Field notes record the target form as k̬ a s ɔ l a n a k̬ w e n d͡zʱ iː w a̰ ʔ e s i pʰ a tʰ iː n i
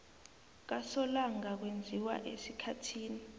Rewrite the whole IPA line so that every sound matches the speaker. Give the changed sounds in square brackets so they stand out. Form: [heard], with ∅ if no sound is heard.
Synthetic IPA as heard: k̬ a s ɔ l a [ŋ] a k̬ w e n d͡zʱ [i] w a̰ ʔ e s i [kʰ] a tʰ iː n i